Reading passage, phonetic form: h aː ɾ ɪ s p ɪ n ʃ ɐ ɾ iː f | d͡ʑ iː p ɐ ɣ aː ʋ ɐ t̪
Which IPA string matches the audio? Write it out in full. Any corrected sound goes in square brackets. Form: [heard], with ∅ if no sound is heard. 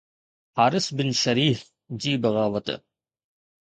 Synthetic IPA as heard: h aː ɾ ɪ s [b] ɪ n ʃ ɐ ɾ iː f | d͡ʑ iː [b] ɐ ɣ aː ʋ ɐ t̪